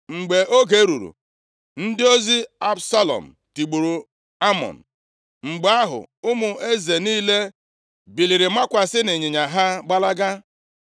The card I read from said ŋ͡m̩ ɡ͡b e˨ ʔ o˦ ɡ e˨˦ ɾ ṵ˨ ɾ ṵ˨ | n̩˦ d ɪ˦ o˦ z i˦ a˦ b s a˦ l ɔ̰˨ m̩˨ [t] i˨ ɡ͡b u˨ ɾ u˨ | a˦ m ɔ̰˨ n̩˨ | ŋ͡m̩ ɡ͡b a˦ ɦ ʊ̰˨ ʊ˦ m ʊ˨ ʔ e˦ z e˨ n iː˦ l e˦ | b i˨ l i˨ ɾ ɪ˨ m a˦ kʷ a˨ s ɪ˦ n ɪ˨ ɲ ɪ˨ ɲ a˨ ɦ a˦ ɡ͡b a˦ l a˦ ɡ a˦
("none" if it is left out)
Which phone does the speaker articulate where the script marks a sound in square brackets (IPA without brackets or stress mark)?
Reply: t